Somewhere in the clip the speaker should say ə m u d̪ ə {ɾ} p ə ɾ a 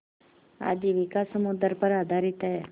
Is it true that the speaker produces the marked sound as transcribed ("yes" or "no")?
yes